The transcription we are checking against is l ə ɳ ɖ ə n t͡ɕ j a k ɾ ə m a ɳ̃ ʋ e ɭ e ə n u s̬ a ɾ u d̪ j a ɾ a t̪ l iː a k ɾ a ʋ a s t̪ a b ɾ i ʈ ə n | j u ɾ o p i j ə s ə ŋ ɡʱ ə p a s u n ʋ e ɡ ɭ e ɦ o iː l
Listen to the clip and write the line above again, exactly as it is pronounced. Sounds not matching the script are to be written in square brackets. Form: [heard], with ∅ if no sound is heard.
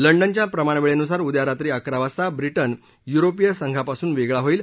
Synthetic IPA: l ə ɳ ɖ ə n t͡ɕ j a [p] ɾ ə m a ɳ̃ ʋ e ɭ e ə n u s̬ a ɾ u d̪ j a ɾ a t̪ [ɾ] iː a k ɾ a ʋ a s t̪ a b ɾ i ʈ ə n | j u ɾ o p i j ə s ə ŋ ɡʱ [a] p a s [uː] n ʋ e ɡ ɭ [a] ɦ o iː l